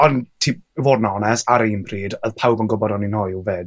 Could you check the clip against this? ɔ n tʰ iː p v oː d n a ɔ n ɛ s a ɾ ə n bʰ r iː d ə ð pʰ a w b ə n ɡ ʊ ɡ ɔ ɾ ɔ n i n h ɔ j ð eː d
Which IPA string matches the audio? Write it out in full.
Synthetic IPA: ɔ n tʰ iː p v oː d n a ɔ n ɛ s a ɾ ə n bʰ r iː d ə ð pʰ a w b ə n ɡ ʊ b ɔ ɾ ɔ n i n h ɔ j v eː d